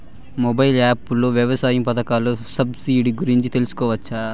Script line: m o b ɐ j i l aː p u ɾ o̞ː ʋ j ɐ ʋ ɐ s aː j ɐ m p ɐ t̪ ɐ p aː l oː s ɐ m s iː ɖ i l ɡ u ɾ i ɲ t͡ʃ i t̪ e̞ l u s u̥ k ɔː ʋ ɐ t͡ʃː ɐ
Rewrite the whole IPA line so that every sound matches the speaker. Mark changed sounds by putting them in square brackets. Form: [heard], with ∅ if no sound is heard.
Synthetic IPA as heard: m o b ɐ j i l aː p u [l] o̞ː ʋ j ɐ ʋ ɐ s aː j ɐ m p ɐ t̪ ɐ [k] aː l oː s ɐ [b] s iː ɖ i [∅] ɡ u ɾ i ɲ t͡ʃ i t̪ e̞ l u s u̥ k ɔː ʋ ɐ t͡ʃː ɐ